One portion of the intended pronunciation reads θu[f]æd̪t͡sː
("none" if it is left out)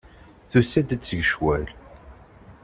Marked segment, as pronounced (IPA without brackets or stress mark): s